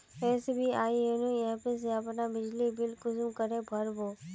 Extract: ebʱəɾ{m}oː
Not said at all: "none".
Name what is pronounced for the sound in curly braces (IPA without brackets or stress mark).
b